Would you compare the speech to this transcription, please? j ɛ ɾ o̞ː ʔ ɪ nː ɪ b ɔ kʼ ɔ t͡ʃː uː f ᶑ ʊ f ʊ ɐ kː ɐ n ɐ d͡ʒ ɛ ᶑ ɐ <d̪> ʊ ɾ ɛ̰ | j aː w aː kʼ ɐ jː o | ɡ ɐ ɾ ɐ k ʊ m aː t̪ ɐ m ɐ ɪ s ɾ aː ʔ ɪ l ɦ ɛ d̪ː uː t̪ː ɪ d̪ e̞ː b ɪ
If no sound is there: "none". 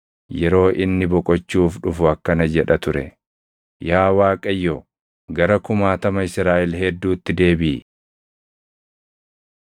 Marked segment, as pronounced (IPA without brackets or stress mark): t̪